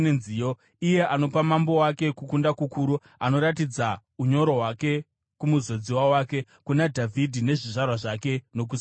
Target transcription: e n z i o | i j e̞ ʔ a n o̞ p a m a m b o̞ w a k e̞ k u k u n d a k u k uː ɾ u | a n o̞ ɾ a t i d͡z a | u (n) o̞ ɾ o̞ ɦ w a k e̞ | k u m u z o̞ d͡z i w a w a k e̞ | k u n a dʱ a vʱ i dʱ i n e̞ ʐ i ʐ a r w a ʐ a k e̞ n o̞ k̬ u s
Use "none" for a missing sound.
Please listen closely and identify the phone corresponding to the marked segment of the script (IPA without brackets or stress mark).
ɲ